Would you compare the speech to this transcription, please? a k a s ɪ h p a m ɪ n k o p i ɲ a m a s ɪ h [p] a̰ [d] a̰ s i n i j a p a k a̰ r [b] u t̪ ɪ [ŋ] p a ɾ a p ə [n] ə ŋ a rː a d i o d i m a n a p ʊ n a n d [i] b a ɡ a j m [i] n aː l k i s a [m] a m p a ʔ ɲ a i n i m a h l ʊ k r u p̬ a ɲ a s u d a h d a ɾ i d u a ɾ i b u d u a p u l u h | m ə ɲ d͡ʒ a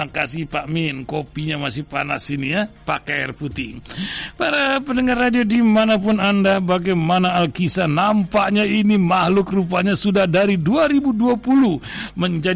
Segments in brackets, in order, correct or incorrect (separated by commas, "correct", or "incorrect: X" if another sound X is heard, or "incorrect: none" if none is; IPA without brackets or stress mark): correct, incorrect: n, incorrect: p, correct, correct, incorrect: a, incorrect: a, incorrect: n